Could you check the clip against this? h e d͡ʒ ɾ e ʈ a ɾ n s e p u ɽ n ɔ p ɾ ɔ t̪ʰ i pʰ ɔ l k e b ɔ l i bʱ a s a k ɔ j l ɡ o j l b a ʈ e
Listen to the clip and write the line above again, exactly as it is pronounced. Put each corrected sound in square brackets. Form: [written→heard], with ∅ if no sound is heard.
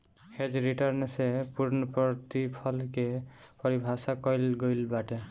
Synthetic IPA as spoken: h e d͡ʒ ɾ [e→i] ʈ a ɾ n s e p u [ɽ→ɾ] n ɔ p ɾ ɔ [t̪ʰ→t̪] i pʰ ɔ l k e [b→p] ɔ [l→ɾ] i bʱ a s a k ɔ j l ɡ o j l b a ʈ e